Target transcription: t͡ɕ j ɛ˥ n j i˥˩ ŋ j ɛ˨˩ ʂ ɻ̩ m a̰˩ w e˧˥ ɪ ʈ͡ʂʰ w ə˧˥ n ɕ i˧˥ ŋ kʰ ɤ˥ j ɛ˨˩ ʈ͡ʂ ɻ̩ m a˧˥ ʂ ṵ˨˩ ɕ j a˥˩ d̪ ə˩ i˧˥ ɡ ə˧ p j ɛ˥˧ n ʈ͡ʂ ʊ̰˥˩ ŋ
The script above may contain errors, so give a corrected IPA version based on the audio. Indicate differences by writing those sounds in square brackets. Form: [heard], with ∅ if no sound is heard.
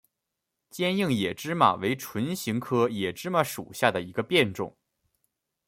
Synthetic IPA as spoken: t͡ɕ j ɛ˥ n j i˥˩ ŋ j ɛ˨˩ [ʈ͡ʂ] ɻ̩ m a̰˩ w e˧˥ ɪ ʈ͡ʂʰ w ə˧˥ n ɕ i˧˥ ŋ kʰ ɤ˥ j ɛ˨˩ ʈ͡ʂ ɻ̩ m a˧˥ ʂ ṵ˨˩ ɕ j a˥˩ d̪ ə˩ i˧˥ ɡ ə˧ p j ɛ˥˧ n ʈ͡ʂ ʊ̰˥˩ ŋ